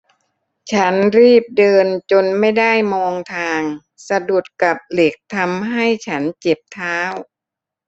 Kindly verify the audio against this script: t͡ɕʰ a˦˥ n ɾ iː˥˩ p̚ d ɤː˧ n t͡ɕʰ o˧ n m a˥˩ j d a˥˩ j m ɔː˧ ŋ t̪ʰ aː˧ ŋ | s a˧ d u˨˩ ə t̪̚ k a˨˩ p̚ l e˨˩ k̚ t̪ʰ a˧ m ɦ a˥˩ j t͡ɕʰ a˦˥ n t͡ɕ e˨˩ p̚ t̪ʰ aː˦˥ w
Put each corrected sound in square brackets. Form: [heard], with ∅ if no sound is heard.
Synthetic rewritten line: t͡ɕʰ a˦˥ n ɾ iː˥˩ p̚ d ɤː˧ n [t͡ɕ] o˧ n m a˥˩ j d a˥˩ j m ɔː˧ ŋ t̪ʰ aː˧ ŋ | s a˧ d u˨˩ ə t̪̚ k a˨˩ p̚ l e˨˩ k̚ t̪ʰ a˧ m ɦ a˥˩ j t͡ɕʰ a˦˥ n t͡ɕ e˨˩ p̚ t̪ʰ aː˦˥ w

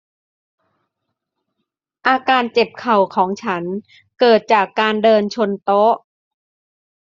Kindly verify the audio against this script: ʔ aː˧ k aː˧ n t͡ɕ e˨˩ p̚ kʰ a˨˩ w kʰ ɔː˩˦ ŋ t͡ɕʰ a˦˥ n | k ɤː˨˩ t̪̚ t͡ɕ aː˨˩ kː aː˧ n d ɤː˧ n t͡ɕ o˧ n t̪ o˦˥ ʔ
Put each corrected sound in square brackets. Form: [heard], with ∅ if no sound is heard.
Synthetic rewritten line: ʔ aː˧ k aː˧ n t͡ɕ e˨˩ p̚ kʰ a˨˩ w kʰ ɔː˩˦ ŋ t͡ɕʰ a˦˥ n | k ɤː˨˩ t̪̚ t͡ɕ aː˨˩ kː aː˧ n d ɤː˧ n [t͡ɕʰ] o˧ n t̪ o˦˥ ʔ

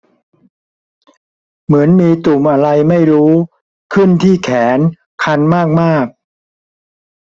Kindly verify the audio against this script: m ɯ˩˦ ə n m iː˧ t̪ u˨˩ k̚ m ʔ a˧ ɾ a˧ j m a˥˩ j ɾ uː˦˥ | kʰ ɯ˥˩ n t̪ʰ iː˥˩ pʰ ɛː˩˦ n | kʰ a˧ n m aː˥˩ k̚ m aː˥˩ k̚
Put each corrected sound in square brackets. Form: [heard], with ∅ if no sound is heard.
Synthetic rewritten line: m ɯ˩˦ ə n m iː˧ t̪ u˨˩ [∅] m ʔ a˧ ɾ a˧ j m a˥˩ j ɾ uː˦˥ | kʰ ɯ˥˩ n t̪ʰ iː˥˩ [kʰ] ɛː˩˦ n | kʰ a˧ n m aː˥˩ k̚ m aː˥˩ k̚

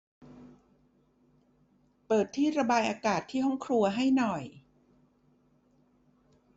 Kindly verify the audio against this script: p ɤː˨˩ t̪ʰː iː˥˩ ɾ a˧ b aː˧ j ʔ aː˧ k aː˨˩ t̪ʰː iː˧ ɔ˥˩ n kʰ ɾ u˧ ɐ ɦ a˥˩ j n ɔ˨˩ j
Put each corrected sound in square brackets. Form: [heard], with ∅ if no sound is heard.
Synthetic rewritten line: p ɤː˨˩ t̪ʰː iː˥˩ ɾ a˧ b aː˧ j ʔ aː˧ k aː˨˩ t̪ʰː [iː˥˩] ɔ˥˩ [ŋ] kʰ ɾ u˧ ɐ ɦ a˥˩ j n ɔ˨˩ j

